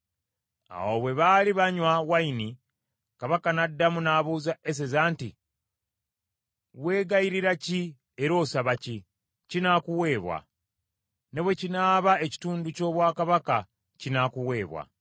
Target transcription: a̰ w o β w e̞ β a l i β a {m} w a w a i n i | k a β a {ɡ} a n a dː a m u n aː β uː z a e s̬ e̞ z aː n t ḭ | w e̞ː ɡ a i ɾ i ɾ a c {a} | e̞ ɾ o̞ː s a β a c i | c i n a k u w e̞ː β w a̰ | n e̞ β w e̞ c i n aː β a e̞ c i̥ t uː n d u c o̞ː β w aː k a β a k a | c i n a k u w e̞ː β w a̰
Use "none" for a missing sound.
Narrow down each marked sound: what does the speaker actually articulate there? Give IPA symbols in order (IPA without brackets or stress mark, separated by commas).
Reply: ɲ, k, i